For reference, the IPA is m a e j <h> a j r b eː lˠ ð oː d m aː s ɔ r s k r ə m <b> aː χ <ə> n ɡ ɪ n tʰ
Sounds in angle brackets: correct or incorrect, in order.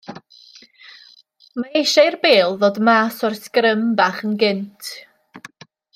incorrect, correct, correct

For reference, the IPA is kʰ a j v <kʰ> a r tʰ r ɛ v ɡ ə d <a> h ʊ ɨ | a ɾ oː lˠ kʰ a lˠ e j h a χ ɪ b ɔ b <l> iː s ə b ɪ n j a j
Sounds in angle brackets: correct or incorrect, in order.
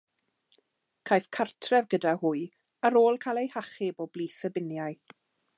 correct, correct, correct

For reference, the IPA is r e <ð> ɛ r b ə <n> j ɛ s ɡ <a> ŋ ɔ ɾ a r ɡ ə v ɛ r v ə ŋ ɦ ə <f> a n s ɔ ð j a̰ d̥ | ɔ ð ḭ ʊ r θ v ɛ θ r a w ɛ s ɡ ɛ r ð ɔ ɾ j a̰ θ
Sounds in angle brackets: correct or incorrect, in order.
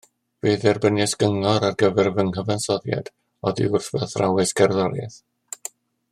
correct, correct, incorrect, incorrect

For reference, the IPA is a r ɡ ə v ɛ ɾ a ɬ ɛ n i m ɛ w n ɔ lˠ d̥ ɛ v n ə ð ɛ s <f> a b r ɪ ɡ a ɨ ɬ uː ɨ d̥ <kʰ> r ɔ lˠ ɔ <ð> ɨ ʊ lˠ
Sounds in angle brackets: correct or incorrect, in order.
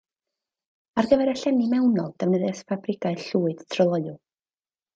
correct, incorrect, incorrect

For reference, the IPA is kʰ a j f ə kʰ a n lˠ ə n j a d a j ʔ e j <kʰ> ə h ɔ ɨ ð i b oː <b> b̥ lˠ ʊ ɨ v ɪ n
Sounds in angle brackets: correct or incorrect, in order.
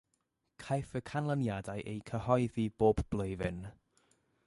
correct, correct

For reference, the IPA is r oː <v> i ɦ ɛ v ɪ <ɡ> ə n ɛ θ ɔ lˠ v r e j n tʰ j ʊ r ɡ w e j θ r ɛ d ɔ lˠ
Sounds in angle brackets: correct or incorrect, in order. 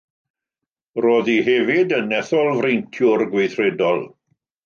incorrect, incorrect

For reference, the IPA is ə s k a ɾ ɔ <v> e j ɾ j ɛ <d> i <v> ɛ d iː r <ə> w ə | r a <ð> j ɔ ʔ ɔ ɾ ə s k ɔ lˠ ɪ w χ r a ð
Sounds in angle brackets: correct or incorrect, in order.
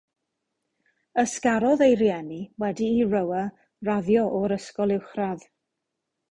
incorrect, incorrect, incorrect, correct, correct

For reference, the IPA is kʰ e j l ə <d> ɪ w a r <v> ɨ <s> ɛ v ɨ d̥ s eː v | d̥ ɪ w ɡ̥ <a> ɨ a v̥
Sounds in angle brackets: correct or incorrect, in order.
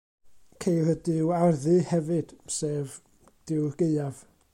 correct, incorrect, incorrect, incorrect

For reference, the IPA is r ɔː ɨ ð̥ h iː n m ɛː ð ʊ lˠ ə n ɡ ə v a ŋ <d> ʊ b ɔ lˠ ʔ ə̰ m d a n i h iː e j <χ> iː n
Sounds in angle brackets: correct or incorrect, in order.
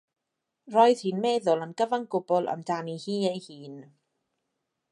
incorrect, incorrect

